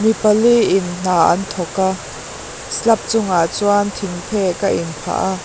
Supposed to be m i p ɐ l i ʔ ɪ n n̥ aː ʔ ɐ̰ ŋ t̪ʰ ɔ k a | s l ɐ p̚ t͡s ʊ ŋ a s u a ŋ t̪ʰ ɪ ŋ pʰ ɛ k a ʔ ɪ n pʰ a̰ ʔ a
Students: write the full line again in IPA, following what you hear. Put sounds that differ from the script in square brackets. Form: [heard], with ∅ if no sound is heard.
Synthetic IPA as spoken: m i p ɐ l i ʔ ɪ n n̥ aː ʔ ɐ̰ [n] t̪ʰ ɔ k a | s l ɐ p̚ t͡s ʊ ŋ a [t͡s] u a [n] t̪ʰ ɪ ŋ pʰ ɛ k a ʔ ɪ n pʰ a̰ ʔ a